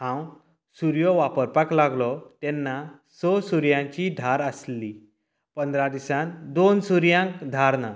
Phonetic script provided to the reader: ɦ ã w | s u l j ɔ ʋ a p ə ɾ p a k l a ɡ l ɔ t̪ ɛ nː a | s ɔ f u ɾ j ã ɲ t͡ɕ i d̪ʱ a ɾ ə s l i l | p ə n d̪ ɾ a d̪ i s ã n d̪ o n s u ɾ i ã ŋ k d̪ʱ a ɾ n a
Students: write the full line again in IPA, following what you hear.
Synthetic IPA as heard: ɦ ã w | s u ɾ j ɔ ʋ a p ə ɾ p a k l a ɡ l ɔ t̪ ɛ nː a | s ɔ s u ɾ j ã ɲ t͡ɕ i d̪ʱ a ɾ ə s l i | p ə n d̪ ɾ a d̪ i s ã n d̪ o n s u ɾ j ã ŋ k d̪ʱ a ɾ n a